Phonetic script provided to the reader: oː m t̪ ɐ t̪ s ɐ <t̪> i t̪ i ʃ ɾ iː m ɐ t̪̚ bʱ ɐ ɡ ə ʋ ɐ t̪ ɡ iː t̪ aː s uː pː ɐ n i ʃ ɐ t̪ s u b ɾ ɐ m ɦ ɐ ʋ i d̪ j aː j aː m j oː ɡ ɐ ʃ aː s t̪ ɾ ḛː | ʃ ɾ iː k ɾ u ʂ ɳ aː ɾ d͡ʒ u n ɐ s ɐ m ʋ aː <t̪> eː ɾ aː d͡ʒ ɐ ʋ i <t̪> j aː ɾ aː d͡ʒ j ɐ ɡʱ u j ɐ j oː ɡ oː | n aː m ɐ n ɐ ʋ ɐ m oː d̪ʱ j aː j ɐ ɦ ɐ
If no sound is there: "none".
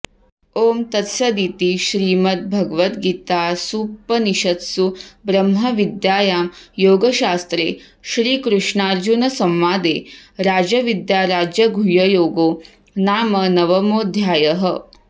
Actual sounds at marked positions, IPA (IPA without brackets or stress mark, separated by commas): d̪, d̪, d̪